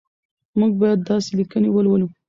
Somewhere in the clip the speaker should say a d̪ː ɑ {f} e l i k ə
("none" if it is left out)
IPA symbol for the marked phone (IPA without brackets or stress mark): s